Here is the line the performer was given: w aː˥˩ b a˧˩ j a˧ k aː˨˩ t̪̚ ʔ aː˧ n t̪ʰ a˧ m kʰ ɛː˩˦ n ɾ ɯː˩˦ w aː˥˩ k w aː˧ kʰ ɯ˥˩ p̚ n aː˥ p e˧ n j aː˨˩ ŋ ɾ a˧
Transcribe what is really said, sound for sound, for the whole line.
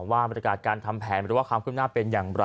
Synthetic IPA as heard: w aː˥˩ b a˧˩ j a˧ k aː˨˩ t̪̚ k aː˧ n t̪ʰ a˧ m pʰ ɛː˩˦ n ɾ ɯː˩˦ w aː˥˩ k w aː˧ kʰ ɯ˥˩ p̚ n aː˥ p e˧ n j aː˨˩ ŋ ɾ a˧